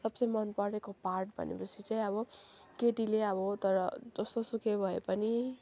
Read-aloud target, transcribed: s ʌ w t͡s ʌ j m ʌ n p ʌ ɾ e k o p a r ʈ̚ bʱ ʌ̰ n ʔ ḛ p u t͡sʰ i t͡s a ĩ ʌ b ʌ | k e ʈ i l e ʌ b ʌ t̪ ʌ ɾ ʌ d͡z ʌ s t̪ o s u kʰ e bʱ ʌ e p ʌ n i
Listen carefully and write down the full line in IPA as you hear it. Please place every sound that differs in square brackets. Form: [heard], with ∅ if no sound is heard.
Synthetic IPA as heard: s ʌ [b] t͡s ʌ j m ʌ n p ʌ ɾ e k o p a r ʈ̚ bʱ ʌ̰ n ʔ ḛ p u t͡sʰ i t͡s a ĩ ʌ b ʌ | k e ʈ i l e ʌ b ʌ t̪ ʌ ɾ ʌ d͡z ʌ s t̪ o s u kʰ e bʱ ʌ e p ʌ n i